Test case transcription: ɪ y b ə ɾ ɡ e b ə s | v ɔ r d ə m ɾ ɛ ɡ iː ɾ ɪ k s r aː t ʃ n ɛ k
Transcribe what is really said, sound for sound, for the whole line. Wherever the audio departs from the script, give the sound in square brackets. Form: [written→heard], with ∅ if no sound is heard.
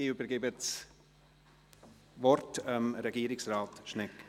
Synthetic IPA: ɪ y b ə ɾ ɡ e b ə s | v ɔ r [d→t] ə m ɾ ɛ ɡ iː ɾ ɪ k s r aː t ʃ n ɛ k